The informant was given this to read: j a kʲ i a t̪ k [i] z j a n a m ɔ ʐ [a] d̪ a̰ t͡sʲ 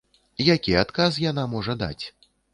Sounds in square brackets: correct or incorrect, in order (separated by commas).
incorrect, incorrect